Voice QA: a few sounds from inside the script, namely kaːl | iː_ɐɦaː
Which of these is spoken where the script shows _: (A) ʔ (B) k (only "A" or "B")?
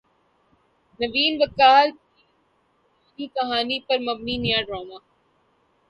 B